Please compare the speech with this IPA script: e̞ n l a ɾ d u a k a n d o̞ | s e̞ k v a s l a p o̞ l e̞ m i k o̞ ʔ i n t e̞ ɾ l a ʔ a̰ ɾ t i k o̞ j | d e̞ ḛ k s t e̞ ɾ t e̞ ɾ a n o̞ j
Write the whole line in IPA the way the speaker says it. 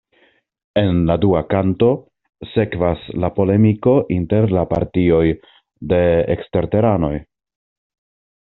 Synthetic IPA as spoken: e̞ n l a d u a k a n t o̞ | s e̞ k v a s l a p o̞ l e̞ m i k o̞ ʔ i n t e̞ ɾ l a p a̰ ɾ t i o̞ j | d e̞ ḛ k s t e̞ ɾ t e̞ ɾ a n o̞ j